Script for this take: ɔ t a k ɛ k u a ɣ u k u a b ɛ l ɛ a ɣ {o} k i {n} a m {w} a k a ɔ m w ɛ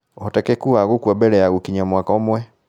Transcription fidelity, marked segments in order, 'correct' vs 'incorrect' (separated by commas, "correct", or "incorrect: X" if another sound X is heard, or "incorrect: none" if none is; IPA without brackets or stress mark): incorrect: u, incorrect: ɲ, correct